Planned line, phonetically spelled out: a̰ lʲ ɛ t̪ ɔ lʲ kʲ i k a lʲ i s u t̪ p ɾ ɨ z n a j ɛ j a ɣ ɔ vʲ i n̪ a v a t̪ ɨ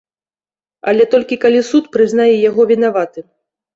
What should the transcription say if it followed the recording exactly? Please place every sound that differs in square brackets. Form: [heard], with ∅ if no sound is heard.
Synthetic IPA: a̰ lʲ ɛ t̪ ɔ lʲ kʲ i k a lʲ i s u t̪ p ɾ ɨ z n a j ɛ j a ɣ ɔ vʲ i n̪ a v a t̪ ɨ